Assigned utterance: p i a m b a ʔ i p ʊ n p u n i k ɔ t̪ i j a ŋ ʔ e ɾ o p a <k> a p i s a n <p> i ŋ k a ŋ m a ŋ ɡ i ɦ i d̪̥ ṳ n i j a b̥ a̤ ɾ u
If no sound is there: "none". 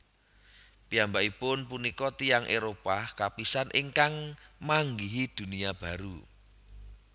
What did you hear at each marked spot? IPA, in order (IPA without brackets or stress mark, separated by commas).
k, ʔ